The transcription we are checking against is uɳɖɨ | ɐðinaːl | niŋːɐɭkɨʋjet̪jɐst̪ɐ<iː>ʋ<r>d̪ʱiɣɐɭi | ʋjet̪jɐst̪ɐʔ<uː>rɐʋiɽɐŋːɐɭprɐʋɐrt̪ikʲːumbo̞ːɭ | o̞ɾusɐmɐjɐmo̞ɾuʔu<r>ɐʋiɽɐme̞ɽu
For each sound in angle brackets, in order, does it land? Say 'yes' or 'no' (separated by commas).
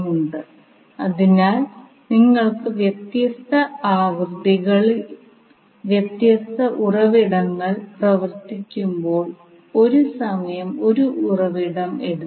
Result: no, yes, no, yes